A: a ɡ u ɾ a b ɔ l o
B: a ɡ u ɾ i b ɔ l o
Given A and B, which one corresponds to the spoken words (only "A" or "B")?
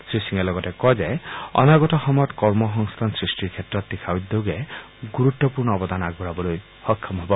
A